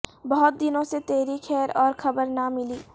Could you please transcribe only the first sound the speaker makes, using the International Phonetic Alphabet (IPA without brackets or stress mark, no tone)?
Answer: b